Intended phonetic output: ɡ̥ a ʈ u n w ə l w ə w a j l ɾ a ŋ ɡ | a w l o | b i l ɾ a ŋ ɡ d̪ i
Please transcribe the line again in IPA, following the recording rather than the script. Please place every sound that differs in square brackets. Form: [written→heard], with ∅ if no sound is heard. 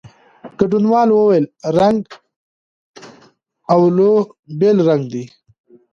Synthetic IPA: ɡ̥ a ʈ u n w [ə→ɑ] l w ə w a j l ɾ a ŋ ɡ | a w l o | b [i→e] l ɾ a ŋ ɡ d̪ i